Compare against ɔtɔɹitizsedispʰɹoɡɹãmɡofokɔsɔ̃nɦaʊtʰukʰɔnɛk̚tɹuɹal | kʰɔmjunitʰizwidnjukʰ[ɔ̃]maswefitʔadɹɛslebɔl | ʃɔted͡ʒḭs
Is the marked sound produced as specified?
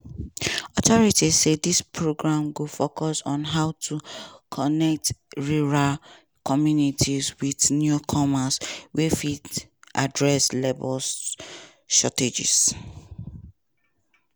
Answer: no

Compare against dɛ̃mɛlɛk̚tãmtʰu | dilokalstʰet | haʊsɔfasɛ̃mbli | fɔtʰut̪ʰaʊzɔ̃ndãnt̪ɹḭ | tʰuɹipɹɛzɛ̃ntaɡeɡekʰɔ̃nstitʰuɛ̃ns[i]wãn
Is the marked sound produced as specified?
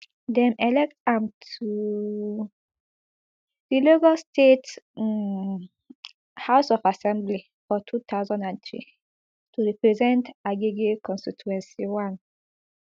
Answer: yes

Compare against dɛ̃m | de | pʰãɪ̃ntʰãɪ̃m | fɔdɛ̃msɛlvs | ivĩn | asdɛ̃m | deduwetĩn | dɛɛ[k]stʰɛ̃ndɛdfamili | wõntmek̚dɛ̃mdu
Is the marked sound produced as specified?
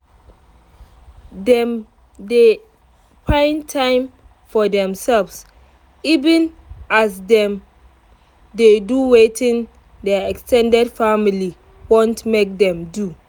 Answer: yes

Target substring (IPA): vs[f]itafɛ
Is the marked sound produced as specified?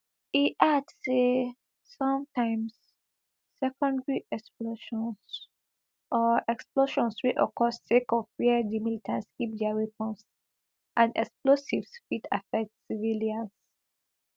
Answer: yes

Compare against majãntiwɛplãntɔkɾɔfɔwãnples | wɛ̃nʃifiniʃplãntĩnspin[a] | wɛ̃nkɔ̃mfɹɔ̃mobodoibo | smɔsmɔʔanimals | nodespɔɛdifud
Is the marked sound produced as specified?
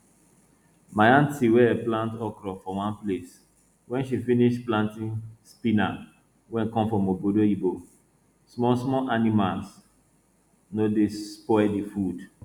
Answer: yes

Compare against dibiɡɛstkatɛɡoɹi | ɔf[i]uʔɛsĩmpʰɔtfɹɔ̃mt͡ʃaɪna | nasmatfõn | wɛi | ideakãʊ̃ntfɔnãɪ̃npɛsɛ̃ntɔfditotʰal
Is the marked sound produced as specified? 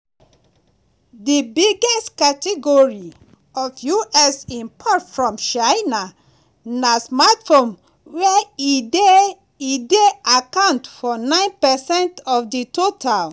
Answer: no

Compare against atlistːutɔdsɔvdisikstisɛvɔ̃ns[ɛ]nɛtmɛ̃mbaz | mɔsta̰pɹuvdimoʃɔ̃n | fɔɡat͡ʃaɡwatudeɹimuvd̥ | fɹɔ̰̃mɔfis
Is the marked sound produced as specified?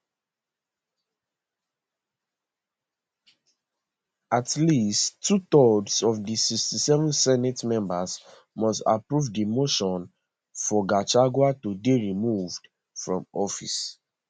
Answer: yes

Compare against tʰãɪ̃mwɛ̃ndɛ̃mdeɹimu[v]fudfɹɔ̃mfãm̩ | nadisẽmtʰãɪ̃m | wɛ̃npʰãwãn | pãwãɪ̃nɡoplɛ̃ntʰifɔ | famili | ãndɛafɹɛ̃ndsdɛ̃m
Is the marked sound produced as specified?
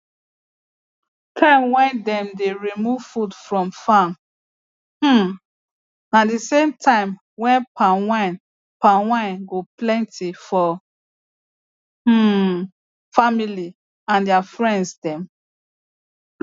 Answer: yes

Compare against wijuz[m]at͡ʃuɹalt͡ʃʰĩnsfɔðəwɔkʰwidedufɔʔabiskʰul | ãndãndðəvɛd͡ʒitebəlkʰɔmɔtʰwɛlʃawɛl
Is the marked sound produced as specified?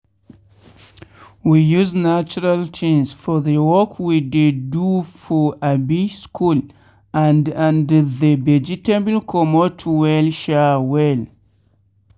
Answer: no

